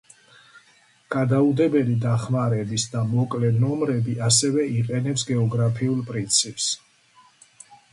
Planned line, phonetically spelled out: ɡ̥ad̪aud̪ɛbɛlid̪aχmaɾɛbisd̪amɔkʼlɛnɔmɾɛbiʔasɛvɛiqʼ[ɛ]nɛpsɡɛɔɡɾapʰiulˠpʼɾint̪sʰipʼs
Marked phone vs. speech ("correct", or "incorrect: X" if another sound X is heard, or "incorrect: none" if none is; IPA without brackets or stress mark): correct